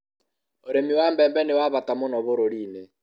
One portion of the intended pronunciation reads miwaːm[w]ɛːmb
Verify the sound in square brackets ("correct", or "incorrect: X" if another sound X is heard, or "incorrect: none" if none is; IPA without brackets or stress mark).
incorrect: b